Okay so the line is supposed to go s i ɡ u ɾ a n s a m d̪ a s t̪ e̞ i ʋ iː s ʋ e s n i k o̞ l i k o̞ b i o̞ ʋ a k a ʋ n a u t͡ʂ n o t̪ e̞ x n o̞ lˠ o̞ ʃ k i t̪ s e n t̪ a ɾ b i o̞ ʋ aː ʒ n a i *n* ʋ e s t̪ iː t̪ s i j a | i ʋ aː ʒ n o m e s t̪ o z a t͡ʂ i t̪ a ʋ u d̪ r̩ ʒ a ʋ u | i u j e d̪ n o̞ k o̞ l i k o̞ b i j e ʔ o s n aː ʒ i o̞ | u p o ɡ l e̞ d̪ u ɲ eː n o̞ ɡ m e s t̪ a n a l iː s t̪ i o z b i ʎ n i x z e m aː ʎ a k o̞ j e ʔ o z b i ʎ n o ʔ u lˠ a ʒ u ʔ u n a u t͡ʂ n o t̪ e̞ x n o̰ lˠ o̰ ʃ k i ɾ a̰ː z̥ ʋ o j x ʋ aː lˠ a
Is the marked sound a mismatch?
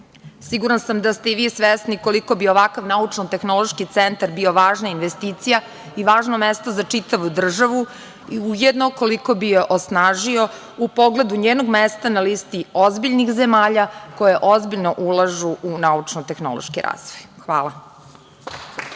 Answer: no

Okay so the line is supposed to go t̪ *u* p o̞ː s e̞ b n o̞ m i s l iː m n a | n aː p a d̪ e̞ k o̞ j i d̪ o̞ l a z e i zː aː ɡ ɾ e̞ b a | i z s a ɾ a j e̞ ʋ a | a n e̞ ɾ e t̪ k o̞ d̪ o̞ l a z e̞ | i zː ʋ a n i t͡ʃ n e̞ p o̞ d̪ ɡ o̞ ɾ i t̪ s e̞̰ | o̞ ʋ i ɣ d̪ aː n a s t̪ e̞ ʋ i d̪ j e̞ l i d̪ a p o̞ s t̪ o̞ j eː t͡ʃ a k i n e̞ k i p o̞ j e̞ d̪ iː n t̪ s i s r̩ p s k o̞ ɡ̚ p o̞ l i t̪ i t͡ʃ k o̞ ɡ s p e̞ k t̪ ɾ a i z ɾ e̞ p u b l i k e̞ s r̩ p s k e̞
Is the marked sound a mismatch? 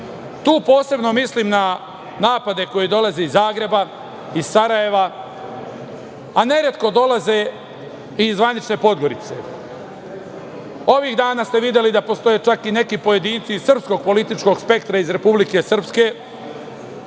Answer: yes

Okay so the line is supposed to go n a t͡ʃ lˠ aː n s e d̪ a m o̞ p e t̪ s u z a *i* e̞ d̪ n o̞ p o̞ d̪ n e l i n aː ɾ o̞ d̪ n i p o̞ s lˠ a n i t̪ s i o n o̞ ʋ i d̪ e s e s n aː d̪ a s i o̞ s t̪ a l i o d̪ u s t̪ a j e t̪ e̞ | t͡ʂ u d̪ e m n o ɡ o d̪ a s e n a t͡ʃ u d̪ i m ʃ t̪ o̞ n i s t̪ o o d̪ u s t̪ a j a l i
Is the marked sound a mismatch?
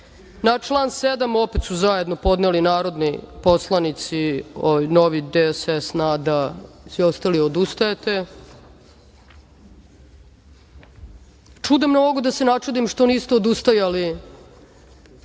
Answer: yes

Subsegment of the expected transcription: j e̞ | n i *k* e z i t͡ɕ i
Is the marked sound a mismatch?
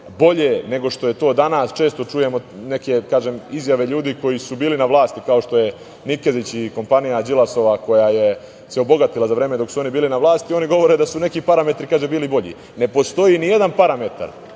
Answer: no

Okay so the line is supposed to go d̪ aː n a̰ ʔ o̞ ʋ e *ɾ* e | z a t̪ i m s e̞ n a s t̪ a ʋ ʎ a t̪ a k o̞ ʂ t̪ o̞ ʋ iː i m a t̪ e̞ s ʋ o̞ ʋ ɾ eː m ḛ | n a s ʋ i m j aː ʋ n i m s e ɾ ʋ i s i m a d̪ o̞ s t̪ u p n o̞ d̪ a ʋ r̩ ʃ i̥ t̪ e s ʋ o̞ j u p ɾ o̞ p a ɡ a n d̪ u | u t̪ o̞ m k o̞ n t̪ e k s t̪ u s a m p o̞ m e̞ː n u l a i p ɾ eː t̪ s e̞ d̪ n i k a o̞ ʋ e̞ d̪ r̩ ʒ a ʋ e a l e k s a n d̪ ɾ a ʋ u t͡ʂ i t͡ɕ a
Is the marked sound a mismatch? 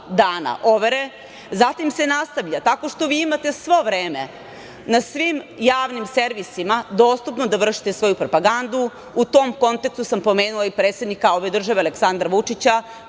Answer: no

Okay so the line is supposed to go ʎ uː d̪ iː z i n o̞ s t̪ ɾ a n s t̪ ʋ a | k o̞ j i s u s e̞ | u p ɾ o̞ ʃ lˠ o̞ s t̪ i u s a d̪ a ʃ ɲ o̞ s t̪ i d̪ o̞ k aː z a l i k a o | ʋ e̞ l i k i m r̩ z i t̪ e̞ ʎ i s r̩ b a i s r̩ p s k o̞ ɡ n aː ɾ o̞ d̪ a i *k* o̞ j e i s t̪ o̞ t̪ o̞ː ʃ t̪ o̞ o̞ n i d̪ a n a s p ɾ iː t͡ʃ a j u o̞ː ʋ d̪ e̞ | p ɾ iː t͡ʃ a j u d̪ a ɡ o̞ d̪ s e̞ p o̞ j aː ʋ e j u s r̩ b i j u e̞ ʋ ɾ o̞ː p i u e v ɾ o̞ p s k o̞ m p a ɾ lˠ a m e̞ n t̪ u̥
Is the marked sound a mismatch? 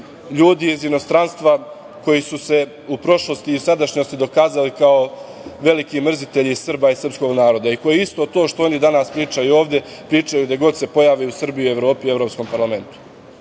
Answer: no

